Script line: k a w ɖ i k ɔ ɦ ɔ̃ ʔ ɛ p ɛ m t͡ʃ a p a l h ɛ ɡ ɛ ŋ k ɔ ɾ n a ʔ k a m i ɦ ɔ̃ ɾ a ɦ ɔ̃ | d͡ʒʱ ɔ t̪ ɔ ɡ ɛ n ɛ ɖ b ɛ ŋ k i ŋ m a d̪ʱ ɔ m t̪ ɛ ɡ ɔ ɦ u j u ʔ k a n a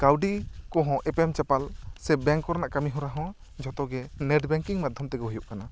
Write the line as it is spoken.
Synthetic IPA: k a w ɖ i k ɔ ɦ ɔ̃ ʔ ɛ p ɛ m t͡ʃ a p a l s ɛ b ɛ ŋ k ɔ ɾ n a ʔ k a m i ɦ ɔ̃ ɾ a ɦ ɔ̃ | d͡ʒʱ ɔ t̪ ɔ ɡ ɛ n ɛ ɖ b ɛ ŋ k i ŋ m a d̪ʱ ɔ m t̪ ɛ ɡ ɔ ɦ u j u ʔ k a n a